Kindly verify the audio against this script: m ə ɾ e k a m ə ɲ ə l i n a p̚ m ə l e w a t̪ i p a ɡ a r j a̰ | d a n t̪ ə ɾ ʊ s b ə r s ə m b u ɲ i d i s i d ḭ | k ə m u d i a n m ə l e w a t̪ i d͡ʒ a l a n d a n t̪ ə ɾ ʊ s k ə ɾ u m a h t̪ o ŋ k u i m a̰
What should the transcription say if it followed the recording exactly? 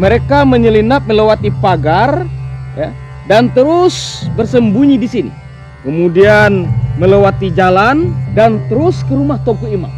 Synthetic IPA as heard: m ə ɾ e k a m ə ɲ ə l i n a p̚ m ə l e w a t̪ i p a ɡ a r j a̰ | d a n t̪ ə ɾ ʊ s b ə r s ə m b u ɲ i d i s i n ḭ | k ə m u d i a n m ə l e w a t̪ i d͡ʒ a l a n d a n t̪ ə ɾ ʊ s k ə ɾ u m a h t̪ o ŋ k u i m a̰